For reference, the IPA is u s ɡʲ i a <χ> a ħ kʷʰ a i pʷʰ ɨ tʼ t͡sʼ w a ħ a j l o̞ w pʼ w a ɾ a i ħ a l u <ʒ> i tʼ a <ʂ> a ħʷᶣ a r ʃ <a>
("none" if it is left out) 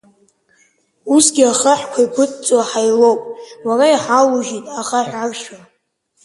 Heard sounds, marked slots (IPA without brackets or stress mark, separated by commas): χ, ʒ, χ, a